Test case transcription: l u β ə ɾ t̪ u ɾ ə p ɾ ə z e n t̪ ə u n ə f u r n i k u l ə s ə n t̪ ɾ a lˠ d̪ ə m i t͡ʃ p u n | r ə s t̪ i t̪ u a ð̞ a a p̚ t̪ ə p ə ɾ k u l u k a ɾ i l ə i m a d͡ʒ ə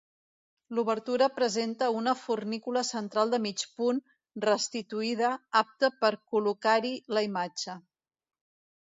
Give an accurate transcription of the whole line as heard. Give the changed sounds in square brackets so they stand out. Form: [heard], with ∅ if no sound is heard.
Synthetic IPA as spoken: l u β ə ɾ t̪ u ɾ ə p ɾ ə z e n t̪ ə u n ə f u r n i k u l ə s ə n t̪ ɾ a lˠ d̪ ə m i t͡ʃ p u n | r ə s t̪ i t̪ u [i] ð̞ [ə] a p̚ t̪ ə p ə ɾ k u l u k a ɾ i l ə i m a d͡ʒ ə

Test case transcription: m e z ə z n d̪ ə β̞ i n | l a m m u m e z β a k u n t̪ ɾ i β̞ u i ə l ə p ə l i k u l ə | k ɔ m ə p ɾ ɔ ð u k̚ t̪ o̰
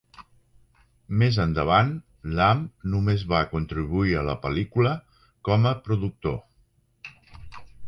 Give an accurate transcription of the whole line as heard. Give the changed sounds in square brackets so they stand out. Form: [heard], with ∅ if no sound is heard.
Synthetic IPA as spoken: m e z ə [∅] n d̪ ə β̞ [a] n | l a m [n] u m e z β a k u n t̪ ɾ i β̞ u i ə l ə p ə l i k u l ə | k ɔ m ə p ɾ [u] ð u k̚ t̪ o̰

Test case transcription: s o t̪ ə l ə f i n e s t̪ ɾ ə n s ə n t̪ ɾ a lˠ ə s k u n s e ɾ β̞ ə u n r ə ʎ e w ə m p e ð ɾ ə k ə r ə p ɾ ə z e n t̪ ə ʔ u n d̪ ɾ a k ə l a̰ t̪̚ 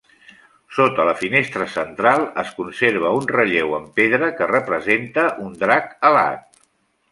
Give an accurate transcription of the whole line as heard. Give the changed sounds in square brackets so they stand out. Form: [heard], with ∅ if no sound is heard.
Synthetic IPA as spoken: s o t̪ ə l ə f i n e s t̪ ɾ ə [∅] s ə n t̪ ɾ a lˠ ə s k u n s e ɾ β̞ ə u n r ə ʎ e w ə m p e ð ɾ ə k ə r ə p ɾ ə z e n t̪ ə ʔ u n d̪ ɾ a k ə l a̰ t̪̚

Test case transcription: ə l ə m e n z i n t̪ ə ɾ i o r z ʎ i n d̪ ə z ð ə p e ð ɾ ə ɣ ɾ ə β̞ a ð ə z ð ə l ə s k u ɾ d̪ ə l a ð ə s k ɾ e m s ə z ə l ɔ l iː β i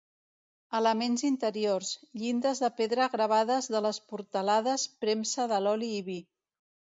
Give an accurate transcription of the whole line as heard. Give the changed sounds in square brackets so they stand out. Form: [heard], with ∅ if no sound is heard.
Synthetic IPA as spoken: ə l ə m e n z i n t̪ ə ɾ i o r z ʎ i n d̪ ə z ð ə p e ð ɾ ə ɣ ɾ ə β̞ a ð ə z ð ə l ə s [p] u ɾ [t̪] ə l a ð ə s [p] ɾ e m s ə [ð] ə l ɔ l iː β i

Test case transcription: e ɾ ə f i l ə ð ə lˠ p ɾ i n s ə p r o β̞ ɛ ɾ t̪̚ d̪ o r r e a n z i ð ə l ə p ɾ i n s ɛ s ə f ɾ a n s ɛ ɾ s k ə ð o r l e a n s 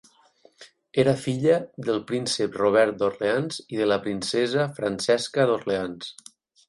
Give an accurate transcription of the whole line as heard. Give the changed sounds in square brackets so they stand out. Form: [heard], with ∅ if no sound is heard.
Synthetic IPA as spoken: e ɾ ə f i [ʎ] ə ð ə lˠ p ɾ i n s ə p r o β̞ ɛ ɾ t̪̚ d̪ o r [l] e a n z i ð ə l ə p ɾ i n s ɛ [z] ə f ɾ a n s ɛ [∅] s k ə ð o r l e a n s

